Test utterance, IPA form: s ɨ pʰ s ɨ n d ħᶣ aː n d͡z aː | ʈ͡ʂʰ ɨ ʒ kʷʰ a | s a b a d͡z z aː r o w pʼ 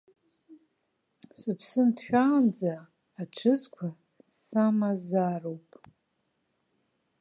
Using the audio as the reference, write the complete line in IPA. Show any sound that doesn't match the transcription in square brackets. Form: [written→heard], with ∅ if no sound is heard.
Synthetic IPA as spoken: s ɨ pʰ s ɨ n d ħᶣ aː n d͡z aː | ʈ͡ʂʰ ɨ [ʒ→z] kʷʰ a | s a [b→m] a [d͡z→∅] z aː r o w pʼ